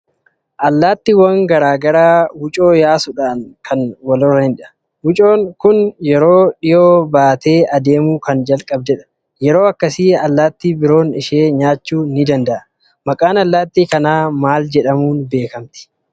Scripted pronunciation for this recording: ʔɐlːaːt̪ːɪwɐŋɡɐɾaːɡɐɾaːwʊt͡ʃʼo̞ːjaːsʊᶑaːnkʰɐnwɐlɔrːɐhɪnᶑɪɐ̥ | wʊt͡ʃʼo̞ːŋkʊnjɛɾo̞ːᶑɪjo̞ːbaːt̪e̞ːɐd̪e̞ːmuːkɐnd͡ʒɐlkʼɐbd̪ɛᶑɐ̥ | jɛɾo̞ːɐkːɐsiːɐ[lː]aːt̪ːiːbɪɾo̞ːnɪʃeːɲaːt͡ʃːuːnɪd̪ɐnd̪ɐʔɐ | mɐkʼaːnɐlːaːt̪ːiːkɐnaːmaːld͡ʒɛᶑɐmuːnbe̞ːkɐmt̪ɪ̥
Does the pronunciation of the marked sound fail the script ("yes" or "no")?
no